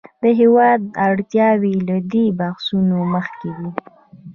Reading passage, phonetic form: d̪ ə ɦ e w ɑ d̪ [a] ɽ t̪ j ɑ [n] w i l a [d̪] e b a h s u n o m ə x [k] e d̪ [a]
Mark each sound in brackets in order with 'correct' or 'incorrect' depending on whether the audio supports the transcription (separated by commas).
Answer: correct, incorrect, correct, correct, incorrect